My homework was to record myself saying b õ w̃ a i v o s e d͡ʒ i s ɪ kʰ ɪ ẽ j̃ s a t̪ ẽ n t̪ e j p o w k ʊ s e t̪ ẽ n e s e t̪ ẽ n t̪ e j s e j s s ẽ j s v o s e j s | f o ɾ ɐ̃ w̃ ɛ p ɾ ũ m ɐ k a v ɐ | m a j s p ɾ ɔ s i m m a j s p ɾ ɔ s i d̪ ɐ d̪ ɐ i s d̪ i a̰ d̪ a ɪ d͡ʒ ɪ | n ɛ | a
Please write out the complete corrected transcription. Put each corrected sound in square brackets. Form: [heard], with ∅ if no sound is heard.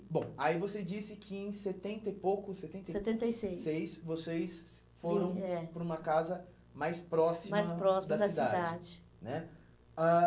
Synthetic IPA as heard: b õ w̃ a i v o s e d͡ʒ i s ɪ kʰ ɪ ẽ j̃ s [e] t̪ ẽ n t̪ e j p o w k ʊ s e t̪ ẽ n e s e t̪ ẽ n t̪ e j s e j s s [e] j s v o s e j s | f o ɾ ɐ̃ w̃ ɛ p ɾ ũ m ɐ k a [z] ɐ | m a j s p ɾ ɔ s i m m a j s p ɾ ɔ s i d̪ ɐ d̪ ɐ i s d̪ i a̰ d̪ a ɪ d͡ʒ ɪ | n ɛ | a

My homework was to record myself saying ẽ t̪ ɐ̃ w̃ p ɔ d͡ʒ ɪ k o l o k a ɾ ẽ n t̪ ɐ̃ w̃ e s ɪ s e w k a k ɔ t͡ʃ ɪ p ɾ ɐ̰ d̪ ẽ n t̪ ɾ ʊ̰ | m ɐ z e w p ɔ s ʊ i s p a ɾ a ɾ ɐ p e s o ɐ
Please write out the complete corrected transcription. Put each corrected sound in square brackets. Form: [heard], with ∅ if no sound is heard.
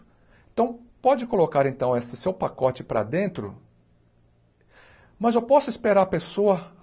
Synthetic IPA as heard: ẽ t̪ ɐ̃ w̃ p ɔ d͡ʒ ɪ k o l o k a ɾ ẽ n t̪ ɐ̃ w̃ e s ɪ s e w [p] a k ɔ t͡ʃ ɪ p ɾ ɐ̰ d̪ ẽ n t̪ ɾ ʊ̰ | m ɐ z e w p ɔ s ʊ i s p [e] ɾ a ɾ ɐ p e s o ɐ

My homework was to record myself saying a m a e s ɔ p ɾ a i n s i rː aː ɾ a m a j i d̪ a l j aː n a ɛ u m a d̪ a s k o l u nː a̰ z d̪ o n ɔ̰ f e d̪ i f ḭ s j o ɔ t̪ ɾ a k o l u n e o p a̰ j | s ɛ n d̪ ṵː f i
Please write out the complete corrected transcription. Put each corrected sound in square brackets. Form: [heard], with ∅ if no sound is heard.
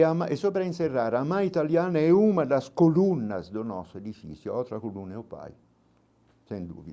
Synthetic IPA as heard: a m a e s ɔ p ɾ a i n s [e] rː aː ɾ a m a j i [t̪] a l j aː n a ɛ u m a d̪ a s k o l u nː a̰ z d̪ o n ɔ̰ [s] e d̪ i f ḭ s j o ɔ t̪ ɾ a k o l u n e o p a̰ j | s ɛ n d̪ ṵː [v] i

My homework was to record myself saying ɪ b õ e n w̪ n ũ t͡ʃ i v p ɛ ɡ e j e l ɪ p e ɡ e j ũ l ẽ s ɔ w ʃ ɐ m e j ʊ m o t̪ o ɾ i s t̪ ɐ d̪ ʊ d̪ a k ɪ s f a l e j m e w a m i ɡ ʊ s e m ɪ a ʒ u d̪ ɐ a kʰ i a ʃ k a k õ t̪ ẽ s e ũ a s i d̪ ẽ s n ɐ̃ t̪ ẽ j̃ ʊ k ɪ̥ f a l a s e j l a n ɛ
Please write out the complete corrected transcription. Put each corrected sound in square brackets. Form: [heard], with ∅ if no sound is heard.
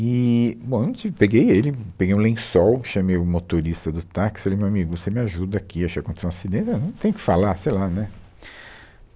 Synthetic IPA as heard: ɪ b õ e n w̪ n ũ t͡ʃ i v p [e] ɡ e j e l ɪ p e ɡ e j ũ l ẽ s ɔ w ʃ ɐ m e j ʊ m o t̪ o ɾ i s t̪ ɐ d̪ ʊ [t̪] a k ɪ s f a l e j m e w a m i ɡ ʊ s e m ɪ a ʒ u d̪ ɐ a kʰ i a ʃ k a k õ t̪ [e] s e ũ a s i d̪ ẽ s n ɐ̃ t̪ ẽ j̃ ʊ k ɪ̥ f a l a s e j l a n ɛ

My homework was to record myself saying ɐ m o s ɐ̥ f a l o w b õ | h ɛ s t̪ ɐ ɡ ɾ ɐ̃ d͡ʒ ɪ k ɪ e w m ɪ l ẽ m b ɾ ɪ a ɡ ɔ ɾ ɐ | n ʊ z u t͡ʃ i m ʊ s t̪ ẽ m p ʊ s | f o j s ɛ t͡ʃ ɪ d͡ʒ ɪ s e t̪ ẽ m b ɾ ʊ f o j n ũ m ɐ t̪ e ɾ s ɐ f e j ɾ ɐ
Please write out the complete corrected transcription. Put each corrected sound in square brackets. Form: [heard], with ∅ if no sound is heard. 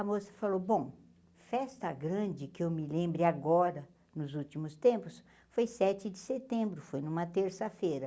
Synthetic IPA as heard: ɐ m o s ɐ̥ f a l o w b õ | [f] ɛ s t̪ ɐ ɡ ɾ ɐ̃ d͡ʒ ɪ k ɪ e w m ɪ l ẽ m b ɾ ɪ a ɡ ɔ ɾ ɐ | n ʊ z u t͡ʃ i m ʊ s t̪ ẽ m p ʊ s | f o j s ɛ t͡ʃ ɪ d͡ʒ ɪ s e t̪ ẽ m b ɾ ʊ f o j n ũ m ɐ t̪ e ɾ s ɐ f e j ɾ ɐ

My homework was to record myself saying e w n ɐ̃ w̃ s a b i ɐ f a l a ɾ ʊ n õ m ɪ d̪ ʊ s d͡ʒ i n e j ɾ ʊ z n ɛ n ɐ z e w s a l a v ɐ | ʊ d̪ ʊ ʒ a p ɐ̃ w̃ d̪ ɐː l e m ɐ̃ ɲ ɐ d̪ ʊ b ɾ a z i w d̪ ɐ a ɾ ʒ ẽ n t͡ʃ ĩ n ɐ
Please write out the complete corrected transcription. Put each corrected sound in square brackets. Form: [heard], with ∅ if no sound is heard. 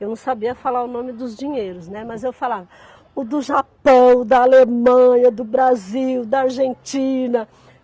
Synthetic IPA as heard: e w n ɐ̃ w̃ s a b i ɐ f a l a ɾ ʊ n õ m ɪ d̪ ʊ [z] d͡ʒ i [ɲ] e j ɾ ʊ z n ɛ [m] ɐ z e w [f] a l a v ɐ | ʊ d̪ ʊ ʒ a p ɐ̃ w̃ d̪ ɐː l e m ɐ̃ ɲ ɐ d̪ ʊ b ɾ a z i w d̪ ɐ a ɾ ʒ ẽ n t͡ʃ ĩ n ɐ

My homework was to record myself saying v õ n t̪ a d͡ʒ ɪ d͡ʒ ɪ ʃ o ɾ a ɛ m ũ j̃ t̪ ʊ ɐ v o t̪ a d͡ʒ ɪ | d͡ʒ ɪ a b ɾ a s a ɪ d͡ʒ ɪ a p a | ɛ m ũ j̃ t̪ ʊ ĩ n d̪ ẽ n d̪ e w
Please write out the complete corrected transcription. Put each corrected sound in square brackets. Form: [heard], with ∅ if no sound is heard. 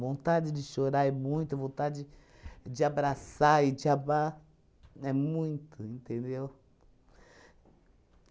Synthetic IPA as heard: v õ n t̪ a d͡ʒ ɪ d͡ʒ ɪ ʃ o ɾ a ɛ m ũ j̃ t̪ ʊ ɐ v [õ] t̪ a d͡ʒ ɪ | d͡ʒ ɪ a b ɾ a s a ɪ d͡ʒ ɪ a [b] a | ɛ m ũ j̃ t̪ ʊ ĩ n [t̪] ẽ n d̪ e w

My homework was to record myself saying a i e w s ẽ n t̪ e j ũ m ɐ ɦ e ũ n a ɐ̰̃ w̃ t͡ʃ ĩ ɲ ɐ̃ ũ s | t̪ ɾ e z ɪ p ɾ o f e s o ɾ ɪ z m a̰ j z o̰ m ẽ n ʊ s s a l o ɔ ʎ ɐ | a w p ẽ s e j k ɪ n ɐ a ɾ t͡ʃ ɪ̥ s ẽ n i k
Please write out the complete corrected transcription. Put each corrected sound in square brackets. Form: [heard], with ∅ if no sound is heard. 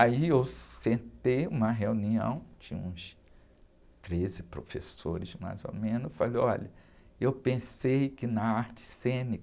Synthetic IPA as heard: a i e w s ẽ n t̪ e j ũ m ɐ ɦ e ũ n [i] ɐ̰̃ w̃ t͡ʃ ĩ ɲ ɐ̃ ũ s | t̪ ɾ e z ɪ p ɾ o f e s o ɾ ɪ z m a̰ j z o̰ m ẽ n ʊ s [f] a l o ɔ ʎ ɐ | [e] w p ẽ s e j k ɪ n ɐ a ɾ t͡ʃ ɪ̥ s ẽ n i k

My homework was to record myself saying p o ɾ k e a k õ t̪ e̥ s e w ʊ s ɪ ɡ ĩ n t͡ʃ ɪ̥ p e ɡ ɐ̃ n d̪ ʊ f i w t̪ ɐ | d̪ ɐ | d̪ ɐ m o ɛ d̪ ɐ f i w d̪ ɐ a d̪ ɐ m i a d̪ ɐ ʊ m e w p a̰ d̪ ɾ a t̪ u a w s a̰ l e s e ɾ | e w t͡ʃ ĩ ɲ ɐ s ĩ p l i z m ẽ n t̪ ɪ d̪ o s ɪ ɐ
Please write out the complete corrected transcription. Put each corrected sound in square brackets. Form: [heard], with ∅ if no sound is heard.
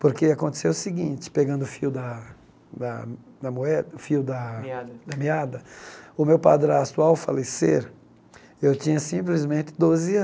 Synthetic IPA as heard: p o ɾ k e a k õ t̪ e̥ s e w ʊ s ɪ ɡ ĩ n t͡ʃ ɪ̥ p e ɡ ɐ̃ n d̪ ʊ f i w [d̪] ɐ | d̪ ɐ | d̪ ɐ m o ɛ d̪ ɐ f i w d̪ ɐ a d̪ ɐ m i a d̪ ɐ ʊ m e w p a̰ d̪ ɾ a t̪ u a w [f] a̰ l e s e ɾ | e w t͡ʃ ĩ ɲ ɐ s ĩ p l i z m ẽ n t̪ ɪ d̪ o [z] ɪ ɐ

